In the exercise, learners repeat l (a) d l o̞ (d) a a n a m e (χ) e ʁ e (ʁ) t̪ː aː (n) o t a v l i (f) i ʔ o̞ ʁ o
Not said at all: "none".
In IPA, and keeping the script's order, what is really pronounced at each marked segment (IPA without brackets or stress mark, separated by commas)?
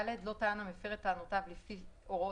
e, t, f, none, n, f